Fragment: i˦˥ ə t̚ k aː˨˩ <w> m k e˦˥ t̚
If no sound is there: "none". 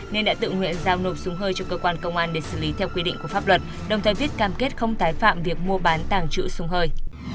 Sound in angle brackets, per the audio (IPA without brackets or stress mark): none